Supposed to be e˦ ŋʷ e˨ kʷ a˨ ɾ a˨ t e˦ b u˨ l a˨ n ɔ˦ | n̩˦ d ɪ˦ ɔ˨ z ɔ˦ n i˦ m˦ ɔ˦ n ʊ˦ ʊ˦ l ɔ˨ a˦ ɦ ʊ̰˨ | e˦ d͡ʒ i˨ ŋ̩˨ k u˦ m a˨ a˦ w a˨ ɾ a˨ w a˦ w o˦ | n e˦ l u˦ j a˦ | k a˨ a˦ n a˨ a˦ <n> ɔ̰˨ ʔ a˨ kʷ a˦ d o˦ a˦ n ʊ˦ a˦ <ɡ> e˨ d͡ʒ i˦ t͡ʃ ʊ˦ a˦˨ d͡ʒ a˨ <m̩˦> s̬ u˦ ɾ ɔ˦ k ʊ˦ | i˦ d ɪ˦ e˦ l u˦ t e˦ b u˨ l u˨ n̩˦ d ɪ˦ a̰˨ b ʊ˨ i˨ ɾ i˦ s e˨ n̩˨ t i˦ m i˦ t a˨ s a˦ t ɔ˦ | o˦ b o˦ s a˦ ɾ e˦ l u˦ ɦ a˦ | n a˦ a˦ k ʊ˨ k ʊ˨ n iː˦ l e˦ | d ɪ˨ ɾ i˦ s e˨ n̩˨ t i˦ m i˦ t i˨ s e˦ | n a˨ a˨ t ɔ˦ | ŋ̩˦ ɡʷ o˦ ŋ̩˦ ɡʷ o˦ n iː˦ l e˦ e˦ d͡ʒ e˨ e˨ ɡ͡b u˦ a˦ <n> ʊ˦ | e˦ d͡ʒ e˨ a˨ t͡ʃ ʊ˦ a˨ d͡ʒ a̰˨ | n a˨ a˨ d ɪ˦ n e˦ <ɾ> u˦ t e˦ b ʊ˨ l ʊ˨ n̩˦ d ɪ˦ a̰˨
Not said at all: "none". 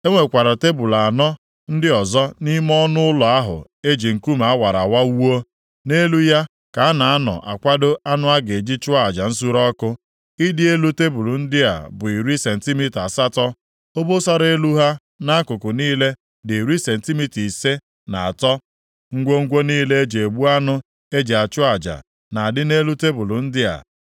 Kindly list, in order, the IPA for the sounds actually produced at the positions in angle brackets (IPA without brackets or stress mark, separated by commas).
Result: n, ɡ, n̩˦, n, l